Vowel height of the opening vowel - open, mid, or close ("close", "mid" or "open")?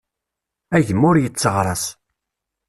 open